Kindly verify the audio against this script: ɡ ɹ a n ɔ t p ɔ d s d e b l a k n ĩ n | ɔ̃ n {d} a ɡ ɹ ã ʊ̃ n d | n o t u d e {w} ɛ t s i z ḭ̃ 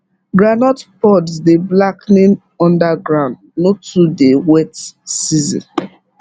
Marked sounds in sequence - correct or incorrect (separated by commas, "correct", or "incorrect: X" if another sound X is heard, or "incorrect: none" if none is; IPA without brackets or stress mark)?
correct, correct